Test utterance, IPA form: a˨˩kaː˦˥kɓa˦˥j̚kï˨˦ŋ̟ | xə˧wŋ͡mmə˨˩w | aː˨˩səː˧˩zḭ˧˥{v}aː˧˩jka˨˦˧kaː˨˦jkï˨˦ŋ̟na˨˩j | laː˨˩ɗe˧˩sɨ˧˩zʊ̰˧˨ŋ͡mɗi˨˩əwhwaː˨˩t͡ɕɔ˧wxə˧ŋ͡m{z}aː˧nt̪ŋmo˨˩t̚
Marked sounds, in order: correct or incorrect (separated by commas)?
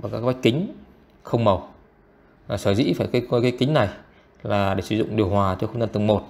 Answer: incorrect, correct